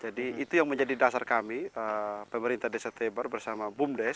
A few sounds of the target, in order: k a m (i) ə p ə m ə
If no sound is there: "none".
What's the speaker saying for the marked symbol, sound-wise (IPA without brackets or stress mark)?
i